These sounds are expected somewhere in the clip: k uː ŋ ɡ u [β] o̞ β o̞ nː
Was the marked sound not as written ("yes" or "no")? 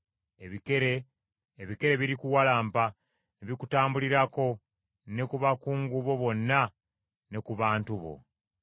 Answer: no